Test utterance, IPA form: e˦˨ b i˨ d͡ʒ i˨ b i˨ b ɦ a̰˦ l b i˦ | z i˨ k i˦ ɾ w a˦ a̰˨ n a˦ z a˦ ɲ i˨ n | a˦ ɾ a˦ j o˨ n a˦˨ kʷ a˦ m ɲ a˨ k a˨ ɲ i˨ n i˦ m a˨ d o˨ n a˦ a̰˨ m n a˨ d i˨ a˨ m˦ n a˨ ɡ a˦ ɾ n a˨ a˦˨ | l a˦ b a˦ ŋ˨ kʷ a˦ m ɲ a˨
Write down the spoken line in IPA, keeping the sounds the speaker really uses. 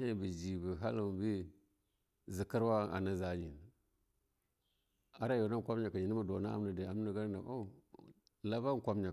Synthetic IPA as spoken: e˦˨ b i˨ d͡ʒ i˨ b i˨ ɦ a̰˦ l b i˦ | z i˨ k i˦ ɾ w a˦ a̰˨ n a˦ z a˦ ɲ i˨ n | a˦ ɾ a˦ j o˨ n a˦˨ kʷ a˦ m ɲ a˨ k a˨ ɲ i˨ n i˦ m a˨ d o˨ n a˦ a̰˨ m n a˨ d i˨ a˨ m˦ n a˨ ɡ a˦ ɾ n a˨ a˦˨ | l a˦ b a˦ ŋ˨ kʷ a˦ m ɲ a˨